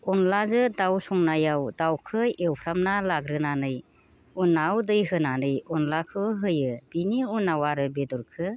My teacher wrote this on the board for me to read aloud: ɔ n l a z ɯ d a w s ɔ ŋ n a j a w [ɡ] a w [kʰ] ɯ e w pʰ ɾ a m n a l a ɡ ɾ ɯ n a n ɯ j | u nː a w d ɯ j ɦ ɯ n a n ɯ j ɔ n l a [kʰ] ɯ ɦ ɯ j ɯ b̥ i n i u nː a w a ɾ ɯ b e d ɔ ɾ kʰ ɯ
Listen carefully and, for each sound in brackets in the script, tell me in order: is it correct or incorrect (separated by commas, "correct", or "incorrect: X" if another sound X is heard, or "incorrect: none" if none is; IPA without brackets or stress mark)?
incorrect: d, correct, correct